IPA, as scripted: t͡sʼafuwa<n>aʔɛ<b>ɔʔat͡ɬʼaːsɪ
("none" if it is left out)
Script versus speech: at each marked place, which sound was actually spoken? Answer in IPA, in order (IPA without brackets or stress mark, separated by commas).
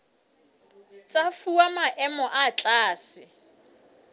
m, m